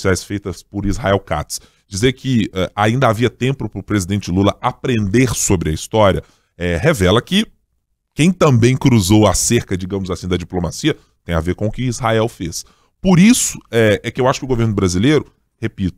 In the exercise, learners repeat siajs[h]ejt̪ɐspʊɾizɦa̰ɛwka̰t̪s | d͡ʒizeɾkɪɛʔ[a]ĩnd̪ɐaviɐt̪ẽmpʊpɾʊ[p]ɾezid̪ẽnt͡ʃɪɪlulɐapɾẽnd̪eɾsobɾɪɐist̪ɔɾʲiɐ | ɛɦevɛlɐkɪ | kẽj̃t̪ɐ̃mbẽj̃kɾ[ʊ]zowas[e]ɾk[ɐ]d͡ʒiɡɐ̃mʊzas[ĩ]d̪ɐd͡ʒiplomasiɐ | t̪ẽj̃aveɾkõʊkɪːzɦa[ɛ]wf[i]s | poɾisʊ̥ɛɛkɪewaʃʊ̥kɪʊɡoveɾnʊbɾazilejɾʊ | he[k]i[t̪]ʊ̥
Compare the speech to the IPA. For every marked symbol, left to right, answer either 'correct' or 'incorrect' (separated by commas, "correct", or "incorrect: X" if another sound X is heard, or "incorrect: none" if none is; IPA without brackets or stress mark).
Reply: incorrect: f, correct, correct, incorrect: u, correct, correct, correct, correct, incorrect: e, incorrect: p, correct